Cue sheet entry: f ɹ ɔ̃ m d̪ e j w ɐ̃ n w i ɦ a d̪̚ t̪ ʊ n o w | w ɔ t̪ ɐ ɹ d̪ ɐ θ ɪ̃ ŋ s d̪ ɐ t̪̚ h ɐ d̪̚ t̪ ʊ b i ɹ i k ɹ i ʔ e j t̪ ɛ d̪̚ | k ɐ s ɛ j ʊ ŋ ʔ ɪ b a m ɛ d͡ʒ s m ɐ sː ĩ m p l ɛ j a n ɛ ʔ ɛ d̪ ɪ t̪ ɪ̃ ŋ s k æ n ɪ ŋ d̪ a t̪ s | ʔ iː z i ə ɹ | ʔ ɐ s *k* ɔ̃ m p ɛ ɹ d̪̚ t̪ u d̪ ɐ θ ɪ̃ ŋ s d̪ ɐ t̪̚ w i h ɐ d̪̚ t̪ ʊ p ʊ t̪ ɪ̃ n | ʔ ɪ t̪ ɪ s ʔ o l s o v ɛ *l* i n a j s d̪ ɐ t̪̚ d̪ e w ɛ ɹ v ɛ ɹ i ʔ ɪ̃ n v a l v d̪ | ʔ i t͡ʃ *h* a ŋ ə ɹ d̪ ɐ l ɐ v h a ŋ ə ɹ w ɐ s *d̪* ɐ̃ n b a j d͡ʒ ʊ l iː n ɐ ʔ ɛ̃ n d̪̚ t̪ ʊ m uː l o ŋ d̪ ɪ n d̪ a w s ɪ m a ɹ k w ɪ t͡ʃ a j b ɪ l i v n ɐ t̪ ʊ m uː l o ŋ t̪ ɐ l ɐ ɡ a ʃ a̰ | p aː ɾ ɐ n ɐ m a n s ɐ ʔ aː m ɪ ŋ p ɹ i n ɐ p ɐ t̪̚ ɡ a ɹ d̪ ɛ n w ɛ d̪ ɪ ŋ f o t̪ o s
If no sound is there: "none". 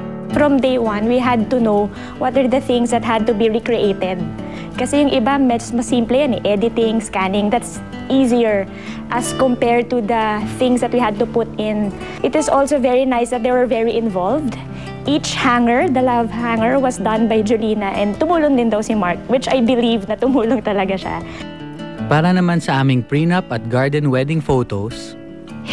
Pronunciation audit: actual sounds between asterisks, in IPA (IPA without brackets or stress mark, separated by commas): k, ɹ, h, d̪